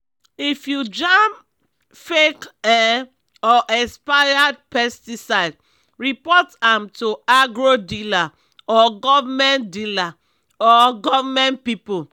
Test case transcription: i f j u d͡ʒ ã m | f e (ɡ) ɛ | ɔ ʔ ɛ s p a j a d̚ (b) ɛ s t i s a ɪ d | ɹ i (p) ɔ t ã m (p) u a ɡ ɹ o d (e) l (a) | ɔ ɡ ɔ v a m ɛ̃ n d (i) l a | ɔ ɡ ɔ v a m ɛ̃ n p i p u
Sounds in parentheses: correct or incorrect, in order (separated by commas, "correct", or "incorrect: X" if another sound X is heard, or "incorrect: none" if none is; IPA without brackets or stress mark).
incorrect: k, incorrect: p, correct, incorrect: t, incorrect: i, correct, correct